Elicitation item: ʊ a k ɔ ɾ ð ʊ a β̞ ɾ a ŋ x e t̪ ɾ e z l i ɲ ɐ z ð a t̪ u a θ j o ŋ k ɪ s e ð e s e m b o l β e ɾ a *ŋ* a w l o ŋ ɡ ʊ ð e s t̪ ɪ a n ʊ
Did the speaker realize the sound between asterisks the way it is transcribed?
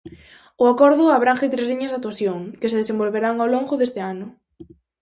yes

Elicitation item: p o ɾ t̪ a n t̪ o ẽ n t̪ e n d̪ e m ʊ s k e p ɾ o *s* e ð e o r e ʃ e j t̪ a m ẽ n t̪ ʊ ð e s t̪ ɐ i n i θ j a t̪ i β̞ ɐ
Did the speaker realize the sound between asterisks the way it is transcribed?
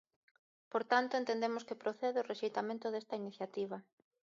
no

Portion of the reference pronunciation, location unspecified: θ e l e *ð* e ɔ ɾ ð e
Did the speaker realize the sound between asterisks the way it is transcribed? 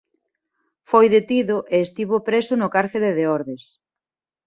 yes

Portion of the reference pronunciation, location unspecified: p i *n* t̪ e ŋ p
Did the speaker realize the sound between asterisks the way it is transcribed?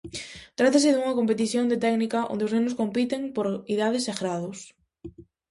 no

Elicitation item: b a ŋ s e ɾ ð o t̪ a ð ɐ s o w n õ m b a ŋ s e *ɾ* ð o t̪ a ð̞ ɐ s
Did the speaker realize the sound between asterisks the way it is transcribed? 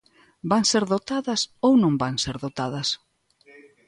yes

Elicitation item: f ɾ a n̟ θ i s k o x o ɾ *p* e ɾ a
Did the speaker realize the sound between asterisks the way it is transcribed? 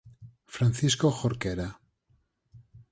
no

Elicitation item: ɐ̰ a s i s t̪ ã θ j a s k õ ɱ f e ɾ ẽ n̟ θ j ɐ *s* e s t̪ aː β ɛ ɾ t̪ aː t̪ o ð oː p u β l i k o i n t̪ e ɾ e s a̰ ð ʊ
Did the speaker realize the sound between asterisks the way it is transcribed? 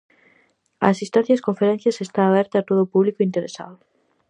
yes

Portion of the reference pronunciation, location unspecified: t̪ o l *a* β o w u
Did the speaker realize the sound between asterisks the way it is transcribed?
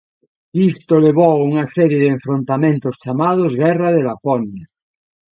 no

